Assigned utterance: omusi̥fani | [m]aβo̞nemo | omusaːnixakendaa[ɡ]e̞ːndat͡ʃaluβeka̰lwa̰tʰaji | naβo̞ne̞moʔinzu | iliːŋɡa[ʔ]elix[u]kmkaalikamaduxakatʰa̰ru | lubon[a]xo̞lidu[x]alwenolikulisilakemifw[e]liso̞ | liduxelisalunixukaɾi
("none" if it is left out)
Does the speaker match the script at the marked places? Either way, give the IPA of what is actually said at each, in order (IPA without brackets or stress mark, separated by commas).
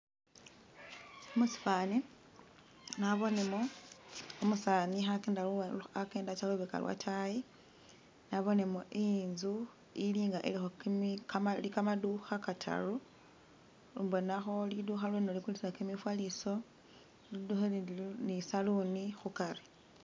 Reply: n, k, ʔ, o, a, x, a